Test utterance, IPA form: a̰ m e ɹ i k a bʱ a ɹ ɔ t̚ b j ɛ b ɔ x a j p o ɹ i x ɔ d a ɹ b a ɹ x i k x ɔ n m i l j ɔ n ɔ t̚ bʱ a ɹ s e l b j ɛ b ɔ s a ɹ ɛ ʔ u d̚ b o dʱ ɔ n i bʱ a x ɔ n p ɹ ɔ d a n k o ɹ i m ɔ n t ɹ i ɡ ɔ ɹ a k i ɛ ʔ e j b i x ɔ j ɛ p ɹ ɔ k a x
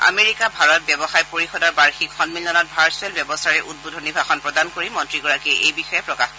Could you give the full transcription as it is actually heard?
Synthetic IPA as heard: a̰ m e ɹ i k a bʱ a ɹ ɔ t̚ b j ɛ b ɔ x a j p o ɹ i x ɔ d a ɹ b a ɹ x i k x ɔ n m i l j ɔ n ɔ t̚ bʱ a ɹ s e l b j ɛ b ɔ s a ɹ ɛ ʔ u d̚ b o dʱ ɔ n i bʱ a x ɔ n p ɹ ɔ d a n k o ɹ i m ɔ n t ɹ i ɡ ɔ ɹ a k i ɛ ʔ e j b i x ɔ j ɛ p ɹ ɔ k a x